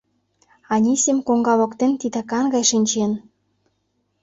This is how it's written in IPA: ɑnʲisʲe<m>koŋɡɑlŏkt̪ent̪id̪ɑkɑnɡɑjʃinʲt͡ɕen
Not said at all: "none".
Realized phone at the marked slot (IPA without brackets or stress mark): m